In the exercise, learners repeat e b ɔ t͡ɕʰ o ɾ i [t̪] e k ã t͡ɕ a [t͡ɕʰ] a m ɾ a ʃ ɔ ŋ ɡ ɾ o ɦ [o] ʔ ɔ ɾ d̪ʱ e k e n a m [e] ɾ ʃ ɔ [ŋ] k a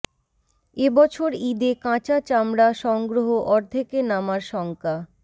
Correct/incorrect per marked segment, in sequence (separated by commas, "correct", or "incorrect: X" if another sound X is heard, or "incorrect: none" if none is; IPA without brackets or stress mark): incorrect: d̪, incorrect: t͡ɕ, correct, incorrect: a, correct